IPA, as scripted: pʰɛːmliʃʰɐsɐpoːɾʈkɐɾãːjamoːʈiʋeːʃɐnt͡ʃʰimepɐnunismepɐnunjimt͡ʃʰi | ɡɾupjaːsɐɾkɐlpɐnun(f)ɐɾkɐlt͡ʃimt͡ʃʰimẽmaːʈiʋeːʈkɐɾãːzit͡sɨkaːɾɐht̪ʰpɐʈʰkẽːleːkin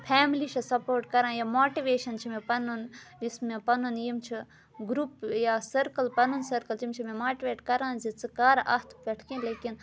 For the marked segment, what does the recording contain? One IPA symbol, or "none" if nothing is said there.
s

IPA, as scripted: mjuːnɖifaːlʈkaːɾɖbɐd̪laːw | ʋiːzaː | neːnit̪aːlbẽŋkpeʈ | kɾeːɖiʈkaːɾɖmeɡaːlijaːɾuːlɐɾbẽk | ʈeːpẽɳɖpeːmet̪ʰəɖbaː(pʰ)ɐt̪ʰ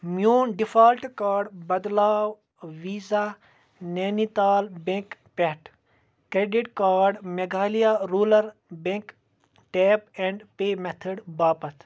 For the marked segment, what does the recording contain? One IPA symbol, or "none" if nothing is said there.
p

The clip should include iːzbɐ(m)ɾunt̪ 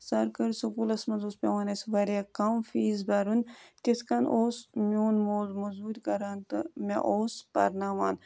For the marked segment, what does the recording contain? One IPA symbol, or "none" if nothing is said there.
none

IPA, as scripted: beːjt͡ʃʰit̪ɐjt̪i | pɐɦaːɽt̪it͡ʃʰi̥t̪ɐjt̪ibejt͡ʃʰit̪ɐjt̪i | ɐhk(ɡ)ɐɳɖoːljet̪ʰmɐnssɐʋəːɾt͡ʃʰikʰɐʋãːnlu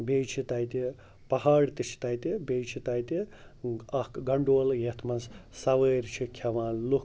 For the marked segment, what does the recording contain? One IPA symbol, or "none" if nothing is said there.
ɡ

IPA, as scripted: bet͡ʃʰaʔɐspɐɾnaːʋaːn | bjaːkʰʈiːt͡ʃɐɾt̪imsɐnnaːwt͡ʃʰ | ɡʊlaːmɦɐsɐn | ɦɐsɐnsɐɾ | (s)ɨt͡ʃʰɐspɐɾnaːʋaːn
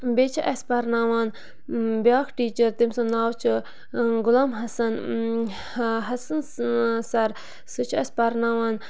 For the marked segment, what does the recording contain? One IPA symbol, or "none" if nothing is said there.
s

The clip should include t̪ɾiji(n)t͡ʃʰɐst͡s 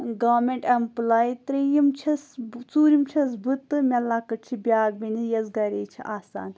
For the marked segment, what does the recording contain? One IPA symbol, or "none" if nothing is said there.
m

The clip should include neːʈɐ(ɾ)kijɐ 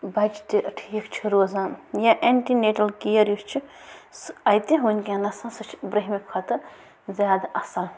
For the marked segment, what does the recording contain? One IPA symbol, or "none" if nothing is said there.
l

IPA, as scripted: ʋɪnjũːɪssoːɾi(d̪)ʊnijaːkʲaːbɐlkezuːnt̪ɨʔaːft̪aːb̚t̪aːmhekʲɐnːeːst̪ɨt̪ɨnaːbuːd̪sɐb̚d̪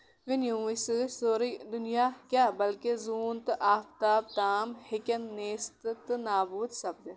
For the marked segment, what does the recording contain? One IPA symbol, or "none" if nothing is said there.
d̪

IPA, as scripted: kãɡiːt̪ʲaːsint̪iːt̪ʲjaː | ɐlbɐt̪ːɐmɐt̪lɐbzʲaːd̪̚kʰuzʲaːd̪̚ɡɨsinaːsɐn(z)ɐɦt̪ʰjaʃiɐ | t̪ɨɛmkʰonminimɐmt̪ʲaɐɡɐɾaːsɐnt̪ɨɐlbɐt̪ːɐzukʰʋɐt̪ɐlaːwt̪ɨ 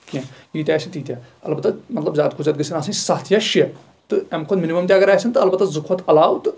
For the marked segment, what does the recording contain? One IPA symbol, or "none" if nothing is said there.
s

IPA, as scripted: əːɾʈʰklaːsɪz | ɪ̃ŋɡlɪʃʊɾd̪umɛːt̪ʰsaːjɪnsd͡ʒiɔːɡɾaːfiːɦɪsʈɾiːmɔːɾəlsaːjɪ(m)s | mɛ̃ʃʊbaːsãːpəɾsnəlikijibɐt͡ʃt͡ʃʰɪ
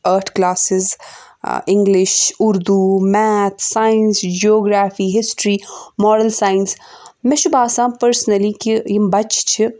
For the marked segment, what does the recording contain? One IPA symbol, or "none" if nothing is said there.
n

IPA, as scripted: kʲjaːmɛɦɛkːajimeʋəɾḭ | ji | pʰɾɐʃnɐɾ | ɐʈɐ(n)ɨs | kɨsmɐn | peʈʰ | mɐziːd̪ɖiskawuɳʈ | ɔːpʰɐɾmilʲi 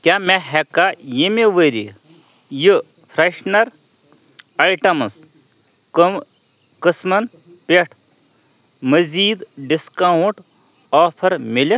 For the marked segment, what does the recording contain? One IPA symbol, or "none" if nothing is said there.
m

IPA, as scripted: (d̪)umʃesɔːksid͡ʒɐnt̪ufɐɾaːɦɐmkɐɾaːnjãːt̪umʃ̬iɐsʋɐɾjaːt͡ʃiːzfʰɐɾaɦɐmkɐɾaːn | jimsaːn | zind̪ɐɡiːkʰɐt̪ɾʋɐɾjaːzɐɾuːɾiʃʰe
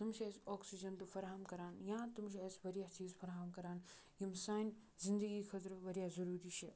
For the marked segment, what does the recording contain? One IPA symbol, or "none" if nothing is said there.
t̪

